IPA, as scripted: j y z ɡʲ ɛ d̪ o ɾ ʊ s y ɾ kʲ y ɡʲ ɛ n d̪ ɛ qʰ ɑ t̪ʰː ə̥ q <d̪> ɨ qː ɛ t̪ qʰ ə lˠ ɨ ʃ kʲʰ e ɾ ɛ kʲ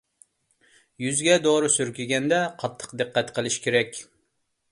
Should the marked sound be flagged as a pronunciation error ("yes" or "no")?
no